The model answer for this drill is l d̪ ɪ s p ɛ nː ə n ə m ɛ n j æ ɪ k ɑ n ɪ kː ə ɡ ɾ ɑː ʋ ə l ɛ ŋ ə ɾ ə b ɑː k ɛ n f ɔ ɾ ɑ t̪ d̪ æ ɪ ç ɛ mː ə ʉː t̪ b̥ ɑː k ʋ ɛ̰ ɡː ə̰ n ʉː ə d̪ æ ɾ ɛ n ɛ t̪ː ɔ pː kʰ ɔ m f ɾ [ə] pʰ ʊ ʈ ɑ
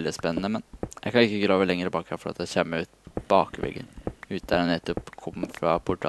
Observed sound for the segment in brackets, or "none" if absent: ɑ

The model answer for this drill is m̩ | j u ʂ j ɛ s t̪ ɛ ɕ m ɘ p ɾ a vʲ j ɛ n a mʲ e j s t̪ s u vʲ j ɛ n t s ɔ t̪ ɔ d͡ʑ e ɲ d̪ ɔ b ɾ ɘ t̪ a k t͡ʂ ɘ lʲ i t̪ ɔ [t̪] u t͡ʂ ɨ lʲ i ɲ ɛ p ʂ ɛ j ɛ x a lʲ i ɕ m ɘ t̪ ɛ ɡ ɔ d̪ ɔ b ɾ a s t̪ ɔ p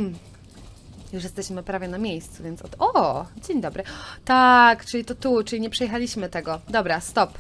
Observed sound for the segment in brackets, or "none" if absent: t̪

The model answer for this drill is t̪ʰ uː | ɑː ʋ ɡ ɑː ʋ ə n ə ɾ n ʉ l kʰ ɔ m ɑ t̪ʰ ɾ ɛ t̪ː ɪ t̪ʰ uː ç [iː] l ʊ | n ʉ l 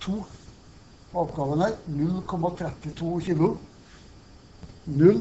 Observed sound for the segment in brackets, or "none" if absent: iː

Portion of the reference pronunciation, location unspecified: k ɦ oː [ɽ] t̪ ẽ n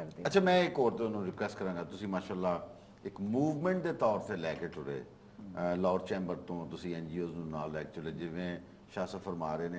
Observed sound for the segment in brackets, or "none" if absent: ɾ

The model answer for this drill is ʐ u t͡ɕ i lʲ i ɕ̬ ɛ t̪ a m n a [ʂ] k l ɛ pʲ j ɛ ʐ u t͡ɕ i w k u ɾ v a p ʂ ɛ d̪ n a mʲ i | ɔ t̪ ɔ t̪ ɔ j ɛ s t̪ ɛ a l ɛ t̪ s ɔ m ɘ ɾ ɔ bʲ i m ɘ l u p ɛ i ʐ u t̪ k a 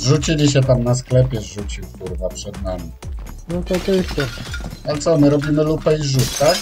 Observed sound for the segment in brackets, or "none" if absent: s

